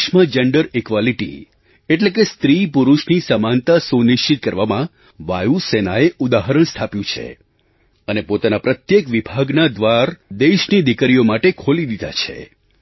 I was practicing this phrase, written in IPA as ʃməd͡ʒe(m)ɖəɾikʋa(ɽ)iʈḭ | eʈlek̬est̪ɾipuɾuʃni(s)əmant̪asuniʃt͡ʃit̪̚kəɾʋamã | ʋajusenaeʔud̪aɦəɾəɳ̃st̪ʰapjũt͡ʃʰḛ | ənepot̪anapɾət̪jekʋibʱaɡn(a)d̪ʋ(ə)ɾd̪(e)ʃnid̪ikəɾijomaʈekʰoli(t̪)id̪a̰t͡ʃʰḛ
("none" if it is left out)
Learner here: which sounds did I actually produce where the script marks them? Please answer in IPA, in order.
ɳ, l, s, a, a, e, d̪

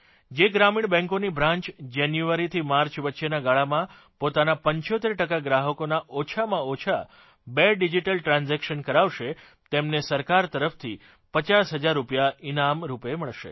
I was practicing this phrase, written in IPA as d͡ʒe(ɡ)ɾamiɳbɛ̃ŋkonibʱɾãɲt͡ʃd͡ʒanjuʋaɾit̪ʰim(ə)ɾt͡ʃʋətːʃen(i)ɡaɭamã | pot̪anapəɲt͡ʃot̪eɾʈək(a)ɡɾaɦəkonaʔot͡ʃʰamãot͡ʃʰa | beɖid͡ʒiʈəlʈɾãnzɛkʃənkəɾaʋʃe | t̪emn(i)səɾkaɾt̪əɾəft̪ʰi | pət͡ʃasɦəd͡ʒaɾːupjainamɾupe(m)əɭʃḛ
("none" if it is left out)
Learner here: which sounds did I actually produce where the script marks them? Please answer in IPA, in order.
ɡ, a, a, a, e, m

